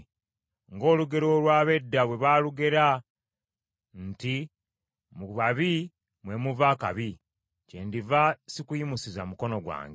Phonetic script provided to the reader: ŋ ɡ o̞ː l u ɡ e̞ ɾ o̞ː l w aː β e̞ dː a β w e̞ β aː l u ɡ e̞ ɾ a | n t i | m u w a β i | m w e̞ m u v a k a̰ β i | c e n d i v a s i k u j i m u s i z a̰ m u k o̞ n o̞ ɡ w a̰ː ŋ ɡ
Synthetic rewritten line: ŋ ɡ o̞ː l u ɡ e̞ ɾ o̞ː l w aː β e̞ dː a β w e̞ β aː l u ɡ e̞ ɾ a | n t i | m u β a β i | m w e̞ m u v a k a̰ β i | c e n d i v a s i k u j i m u s i z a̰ m u k o̞ n o̞ ɡ w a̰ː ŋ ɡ